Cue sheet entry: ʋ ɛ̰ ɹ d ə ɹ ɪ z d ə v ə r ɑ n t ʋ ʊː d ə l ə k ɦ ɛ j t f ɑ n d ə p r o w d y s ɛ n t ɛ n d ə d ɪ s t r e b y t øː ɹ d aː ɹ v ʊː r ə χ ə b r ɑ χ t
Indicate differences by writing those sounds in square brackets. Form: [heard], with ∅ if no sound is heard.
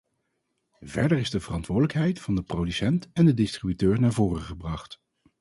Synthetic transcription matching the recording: [v] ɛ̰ ɹ d ə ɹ ɪ z d ə v ə r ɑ n t ʋ ʊː d ə l ə k ɦ ɛ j t f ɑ n d ə p r o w d y s ɛ n t ɛ n d ə d ɪ s t r [i] b y t øː ɹ [n] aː ɹ v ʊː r ə χ ə b r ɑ χ t